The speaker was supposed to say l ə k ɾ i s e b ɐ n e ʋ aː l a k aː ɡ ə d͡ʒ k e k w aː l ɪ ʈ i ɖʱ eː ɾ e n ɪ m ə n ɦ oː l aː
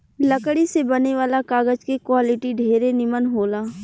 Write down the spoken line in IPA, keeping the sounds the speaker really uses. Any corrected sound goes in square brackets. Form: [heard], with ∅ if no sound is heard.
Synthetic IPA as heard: l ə k [ɽ] i s e b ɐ n e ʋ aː l a k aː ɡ ə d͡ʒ k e k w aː l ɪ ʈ i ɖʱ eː ɾ e n ɪ m ə n ɦ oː l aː